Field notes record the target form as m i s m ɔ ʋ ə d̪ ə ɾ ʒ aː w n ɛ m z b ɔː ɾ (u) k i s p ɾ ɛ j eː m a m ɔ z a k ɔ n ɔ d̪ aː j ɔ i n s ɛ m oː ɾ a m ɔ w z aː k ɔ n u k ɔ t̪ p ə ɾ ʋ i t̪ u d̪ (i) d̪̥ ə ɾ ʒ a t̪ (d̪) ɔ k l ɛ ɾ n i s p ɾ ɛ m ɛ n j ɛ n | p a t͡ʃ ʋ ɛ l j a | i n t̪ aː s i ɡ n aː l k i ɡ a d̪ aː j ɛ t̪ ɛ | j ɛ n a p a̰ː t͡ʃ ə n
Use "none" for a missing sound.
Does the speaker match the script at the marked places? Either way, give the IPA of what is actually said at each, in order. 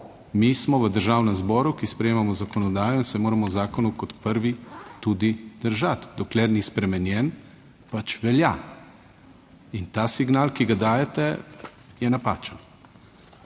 u, i, d̪

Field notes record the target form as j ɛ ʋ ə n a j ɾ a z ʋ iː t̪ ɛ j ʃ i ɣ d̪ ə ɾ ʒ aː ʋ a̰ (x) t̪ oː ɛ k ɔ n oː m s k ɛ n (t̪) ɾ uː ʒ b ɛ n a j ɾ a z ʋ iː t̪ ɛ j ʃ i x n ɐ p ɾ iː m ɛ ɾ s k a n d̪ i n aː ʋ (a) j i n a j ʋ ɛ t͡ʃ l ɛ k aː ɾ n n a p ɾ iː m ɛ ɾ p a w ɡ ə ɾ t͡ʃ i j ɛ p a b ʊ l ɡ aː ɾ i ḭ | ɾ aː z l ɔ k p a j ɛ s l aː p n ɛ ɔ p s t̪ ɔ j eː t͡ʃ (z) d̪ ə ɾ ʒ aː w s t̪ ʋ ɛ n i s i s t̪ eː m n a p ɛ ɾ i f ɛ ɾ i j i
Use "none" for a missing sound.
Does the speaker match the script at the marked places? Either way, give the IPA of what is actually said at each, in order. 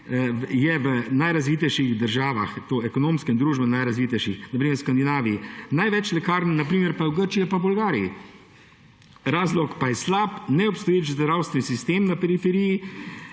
x, d̪, i, z

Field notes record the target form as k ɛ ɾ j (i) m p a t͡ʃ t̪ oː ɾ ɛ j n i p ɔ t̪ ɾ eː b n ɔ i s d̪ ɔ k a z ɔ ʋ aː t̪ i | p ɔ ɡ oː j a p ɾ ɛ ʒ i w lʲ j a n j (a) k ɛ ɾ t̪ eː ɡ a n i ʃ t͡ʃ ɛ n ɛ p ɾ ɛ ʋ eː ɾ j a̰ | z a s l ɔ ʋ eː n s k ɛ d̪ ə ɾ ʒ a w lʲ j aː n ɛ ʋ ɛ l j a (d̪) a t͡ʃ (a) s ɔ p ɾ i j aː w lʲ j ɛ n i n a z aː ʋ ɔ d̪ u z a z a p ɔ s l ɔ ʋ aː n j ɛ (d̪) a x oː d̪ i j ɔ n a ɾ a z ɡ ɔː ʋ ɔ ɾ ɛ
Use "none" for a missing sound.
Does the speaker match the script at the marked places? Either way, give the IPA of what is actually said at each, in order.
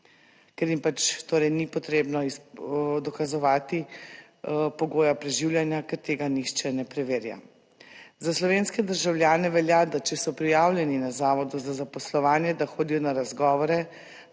i, a, d̪, ɛ, d̪

